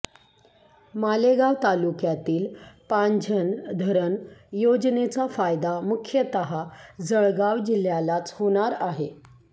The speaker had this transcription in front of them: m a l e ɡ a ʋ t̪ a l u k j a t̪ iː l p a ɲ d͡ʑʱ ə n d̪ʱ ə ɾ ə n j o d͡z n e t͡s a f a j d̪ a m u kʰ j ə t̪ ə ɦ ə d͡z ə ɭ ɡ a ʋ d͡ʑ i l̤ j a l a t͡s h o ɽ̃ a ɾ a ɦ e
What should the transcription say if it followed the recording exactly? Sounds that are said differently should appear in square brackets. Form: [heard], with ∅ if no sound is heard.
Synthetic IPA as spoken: m a l e ɡ a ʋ t̪ a l u k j a t̪ iː l p a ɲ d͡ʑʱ ə n d̪ʱ ə ɾ ə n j o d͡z n e t͡s a f a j d̪ a m u kʰ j ə t̪ ə ɦ [a] d͡z ə ɭ ɡ a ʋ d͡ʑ i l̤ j a l a t͡s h o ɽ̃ a ɾ a ɦ e